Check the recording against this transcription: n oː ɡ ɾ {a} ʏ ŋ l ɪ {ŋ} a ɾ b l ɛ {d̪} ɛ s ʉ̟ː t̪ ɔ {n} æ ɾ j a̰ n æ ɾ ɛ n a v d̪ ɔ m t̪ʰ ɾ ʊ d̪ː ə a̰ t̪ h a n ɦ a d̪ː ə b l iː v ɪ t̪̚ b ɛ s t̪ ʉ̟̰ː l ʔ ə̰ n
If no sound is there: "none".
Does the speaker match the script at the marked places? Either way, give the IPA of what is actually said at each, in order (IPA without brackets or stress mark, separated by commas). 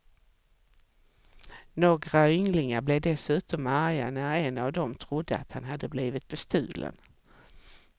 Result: a, ŋ, d̪, m